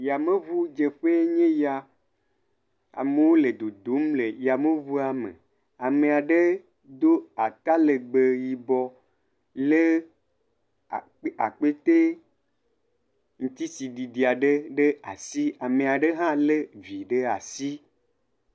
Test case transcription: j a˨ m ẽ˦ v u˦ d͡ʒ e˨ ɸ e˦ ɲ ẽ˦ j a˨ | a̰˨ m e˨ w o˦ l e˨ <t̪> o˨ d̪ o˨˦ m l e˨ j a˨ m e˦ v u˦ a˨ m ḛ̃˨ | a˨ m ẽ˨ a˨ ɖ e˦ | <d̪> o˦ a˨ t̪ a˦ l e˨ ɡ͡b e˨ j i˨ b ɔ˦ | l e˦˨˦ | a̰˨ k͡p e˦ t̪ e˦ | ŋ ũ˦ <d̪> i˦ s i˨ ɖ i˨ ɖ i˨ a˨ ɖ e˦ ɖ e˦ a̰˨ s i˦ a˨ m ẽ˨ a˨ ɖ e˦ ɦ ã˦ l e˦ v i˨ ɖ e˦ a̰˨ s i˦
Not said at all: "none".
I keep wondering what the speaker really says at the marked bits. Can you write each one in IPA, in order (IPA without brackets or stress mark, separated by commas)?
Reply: d̪, d̪, t̪